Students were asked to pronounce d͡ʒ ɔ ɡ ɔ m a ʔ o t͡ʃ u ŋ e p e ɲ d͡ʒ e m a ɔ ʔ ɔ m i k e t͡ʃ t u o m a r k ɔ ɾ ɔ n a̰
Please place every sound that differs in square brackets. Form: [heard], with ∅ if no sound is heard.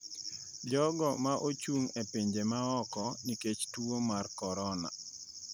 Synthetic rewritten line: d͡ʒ ɔ ɡ ɔ m a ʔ o t͡ʃ u ŋ e p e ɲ d͡ʒ e m a ɔ [k] ɔ [n] i k e t͡ʃ t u o m a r k ɔ ɾ ɔ n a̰